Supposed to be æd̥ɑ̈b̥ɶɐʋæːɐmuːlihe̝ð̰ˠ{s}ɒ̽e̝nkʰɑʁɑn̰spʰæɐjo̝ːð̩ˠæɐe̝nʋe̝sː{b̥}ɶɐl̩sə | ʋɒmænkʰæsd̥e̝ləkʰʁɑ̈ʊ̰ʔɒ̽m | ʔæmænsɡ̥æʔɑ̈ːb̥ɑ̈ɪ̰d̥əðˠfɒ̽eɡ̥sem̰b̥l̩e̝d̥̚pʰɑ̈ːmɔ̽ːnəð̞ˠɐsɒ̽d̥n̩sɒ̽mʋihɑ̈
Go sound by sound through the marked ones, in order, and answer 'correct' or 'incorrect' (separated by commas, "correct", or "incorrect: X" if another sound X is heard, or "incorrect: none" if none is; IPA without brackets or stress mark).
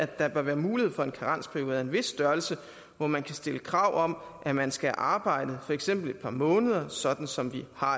incorrect: f, incorrect: d̥